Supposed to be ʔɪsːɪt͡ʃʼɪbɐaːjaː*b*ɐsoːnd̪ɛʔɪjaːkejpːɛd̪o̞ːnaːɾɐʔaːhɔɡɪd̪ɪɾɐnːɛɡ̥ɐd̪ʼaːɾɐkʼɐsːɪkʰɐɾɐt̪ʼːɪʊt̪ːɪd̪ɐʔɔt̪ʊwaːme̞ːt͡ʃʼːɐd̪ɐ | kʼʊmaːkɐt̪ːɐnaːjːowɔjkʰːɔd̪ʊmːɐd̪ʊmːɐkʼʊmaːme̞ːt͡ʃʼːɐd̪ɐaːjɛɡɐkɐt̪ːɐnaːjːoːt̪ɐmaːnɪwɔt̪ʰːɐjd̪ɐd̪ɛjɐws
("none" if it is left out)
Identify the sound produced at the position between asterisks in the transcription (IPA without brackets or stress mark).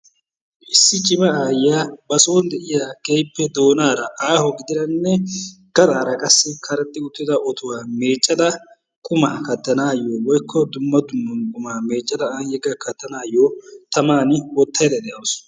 b